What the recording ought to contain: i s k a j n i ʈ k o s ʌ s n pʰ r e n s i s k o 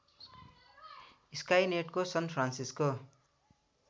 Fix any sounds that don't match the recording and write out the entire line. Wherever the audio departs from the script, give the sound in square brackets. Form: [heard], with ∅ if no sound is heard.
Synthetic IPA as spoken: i s k a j n [e] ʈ k o s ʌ [∅] n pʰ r [a] n s i s k o